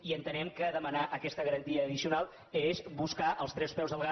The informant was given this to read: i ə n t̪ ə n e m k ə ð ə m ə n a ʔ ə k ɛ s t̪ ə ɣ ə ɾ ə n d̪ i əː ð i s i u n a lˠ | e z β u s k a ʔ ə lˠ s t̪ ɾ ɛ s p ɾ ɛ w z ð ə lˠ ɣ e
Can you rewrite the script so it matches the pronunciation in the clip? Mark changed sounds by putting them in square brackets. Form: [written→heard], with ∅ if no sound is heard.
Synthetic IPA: i ə n t̪ ə n [e→ɛ] m k ə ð ə m ə n a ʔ ə k ɛ s t̪ ə ɣ ə ɾ ə n [d̪→t̪] i əː ð i s i u n a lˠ | e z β u s k a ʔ ə lˠ s t̪ ɾ ɛ s p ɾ ɛ w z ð ə lˠ ɣ [e→a]